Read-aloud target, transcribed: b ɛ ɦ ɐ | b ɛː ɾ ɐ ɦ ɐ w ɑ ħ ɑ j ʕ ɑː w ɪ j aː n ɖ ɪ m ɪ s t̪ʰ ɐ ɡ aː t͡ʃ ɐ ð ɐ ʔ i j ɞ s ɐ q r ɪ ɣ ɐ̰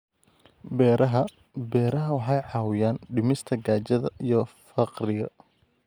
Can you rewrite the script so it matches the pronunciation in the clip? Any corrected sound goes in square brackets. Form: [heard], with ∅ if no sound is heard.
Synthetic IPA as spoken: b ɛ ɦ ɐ | b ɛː ɾ ɐ ɦ ɐ w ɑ ħ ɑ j ʕ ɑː w ɪ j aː n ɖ ɪ m ɪ s t̪ʰ ɐ ɡ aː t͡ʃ ɐ ð ɐ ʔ i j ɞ [f] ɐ q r ɪ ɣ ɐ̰

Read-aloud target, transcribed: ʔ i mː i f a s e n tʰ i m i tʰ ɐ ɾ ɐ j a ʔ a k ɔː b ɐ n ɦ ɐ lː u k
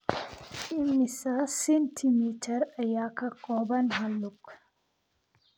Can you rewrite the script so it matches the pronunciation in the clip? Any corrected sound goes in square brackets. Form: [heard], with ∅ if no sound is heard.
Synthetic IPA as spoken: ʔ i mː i [s] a s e n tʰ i m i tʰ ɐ ɾ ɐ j a [k] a k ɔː b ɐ n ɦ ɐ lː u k

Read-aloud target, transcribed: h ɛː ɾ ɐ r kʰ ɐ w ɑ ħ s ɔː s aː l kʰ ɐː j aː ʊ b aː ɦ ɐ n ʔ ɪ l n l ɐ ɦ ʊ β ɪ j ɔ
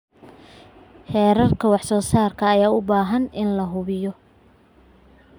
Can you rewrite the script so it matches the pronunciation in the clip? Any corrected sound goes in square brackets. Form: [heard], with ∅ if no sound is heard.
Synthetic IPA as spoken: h ɛː ɾ ɐ r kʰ ɐ w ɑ ħ s ɔː s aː [r] kʰ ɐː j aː ʊ b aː ɦ ɐ n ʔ ɪ [∅] n l ɐ ɦ ʊ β ɪ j ɔ

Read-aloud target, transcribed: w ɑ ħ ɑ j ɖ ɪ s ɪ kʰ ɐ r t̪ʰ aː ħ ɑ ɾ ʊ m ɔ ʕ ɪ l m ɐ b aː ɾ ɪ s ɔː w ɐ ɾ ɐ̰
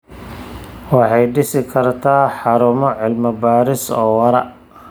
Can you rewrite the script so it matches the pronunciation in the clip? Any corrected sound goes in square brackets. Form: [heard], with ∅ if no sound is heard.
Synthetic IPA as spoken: w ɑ ħ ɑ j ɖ ɪ s ɪ kʰ ɐ r t̪ʰ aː ħ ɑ ɾ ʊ m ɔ ʕ ɪ l m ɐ b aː ɾ ɪ s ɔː w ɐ ɾ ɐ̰

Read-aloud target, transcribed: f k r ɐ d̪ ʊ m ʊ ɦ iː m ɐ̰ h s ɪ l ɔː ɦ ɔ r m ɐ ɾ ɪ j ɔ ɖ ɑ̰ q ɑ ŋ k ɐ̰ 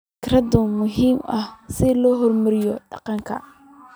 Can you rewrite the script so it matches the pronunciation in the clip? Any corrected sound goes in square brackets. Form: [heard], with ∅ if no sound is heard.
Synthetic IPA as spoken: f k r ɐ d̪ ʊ m ʊ ɦ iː m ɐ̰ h s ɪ l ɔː ɦ ɔ r m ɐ ɾ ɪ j ɔ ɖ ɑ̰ q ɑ ŋ [kʰ] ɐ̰

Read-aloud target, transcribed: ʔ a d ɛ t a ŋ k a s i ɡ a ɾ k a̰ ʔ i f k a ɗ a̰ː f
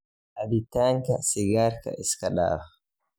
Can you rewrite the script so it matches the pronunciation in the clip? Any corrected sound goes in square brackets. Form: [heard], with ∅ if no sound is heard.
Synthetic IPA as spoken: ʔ a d [i] t a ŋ k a s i ɡ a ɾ k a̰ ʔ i [s] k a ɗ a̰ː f

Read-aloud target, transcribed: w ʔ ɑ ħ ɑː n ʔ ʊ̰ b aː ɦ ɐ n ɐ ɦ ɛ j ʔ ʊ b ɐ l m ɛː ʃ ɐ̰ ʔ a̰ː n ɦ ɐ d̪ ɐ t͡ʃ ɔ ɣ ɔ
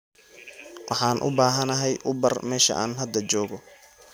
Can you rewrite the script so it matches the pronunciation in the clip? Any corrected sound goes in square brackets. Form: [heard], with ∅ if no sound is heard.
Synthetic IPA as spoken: w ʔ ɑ ħ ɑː n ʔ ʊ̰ b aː ɦ ɐ n ɐ ɦ ɛ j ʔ ʊ b ɐ [r] m ɛː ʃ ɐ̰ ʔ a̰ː n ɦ ɐ d̪ ɐ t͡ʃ [ɔː] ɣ ɔ

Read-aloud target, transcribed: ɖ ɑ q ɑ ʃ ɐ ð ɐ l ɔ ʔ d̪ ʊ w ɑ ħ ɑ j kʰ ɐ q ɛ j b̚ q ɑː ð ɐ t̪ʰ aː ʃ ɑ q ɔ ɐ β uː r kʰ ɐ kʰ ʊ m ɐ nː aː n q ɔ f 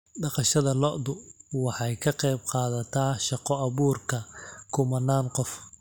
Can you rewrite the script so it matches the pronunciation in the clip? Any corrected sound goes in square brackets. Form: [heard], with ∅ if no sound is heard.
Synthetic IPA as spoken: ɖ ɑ q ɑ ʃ ɐ ð ɐ l ɔ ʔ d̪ ʊ w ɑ ħ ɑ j kʰ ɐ q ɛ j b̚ q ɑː ð ɐ t̪ʰ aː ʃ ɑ q ɔ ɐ β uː r kʰ ɐ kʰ ʊ m ɐ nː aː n q ɔ f

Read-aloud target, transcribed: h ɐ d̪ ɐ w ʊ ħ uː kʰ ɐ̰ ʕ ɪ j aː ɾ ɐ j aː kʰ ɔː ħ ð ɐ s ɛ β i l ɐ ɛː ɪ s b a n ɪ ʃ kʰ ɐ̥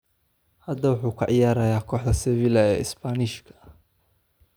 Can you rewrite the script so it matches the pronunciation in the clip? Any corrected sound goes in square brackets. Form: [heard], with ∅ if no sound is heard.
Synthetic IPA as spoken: h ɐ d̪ ɐ w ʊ ħ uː kʰ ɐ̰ ʕ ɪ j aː ɾ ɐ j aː kʰ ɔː ħ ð ɐ s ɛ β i l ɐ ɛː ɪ s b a n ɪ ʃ kʰ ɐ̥

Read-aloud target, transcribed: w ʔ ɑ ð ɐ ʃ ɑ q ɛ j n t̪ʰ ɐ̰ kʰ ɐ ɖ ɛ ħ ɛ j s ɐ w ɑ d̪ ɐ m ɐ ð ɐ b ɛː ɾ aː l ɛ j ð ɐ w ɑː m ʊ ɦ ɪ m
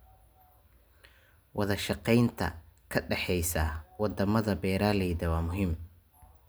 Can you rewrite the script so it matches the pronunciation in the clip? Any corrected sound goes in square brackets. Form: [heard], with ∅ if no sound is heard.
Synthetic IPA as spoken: w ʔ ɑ ð ɐ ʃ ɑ q ɛ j n t̪ʰ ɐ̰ kʰ ɐ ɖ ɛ ħ ɛ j s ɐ w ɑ d̪ ɐ m ɐ ð ɐ b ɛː ɾ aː l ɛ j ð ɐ w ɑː m ʊ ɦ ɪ m

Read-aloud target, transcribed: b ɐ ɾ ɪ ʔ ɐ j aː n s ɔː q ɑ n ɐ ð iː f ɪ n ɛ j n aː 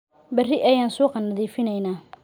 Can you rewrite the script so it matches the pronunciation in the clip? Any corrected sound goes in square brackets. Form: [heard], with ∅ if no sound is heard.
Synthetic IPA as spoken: b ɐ [r] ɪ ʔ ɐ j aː n s [uː] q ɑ n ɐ ð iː f ɪ n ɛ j n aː

